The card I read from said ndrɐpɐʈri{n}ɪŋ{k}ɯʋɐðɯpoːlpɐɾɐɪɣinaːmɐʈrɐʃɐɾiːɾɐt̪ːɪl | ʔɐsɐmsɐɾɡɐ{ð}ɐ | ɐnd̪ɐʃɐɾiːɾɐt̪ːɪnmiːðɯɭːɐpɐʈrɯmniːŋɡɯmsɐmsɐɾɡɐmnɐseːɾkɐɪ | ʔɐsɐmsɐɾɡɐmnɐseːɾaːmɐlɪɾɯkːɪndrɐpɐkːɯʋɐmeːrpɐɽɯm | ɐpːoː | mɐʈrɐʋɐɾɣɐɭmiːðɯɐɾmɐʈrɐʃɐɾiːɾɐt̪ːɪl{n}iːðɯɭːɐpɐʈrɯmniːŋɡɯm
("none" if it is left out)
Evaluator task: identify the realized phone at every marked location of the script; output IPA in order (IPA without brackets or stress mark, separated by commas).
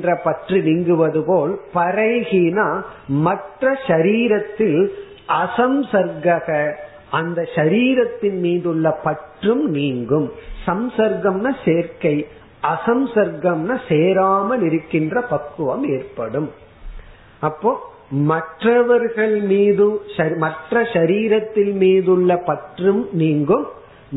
n, ɡ, ɣ, m